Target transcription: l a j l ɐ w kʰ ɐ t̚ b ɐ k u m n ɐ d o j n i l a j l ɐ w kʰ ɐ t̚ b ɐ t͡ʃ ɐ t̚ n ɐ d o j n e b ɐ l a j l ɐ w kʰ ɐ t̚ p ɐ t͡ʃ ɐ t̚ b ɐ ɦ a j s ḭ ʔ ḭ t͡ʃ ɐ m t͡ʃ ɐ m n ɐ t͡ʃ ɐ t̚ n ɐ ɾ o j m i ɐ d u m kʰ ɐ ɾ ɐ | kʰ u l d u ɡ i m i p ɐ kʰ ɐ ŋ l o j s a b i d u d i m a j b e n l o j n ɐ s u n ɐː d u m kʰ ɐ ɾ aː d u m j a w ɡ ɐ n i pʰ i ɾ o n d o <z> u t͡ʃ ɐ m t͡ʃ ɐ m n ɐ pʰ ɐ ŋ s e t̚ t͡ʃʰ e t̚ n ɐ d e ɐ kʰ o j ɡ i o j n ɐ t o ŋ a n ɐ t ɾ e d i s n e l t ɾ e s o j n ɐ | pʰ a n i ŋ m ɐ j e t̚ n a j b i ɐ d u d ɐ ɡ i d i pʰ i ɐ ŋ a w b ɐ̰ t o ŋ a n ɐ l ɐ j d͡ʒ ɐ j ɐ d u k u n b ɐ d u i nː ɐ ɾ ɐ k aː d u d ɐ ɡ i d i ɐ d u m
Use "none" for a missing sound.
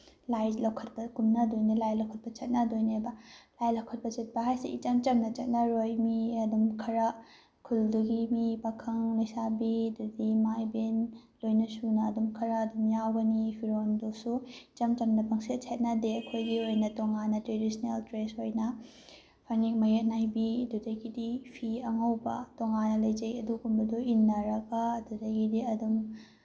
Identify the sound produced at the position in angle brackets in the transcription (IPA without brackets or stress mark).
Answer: s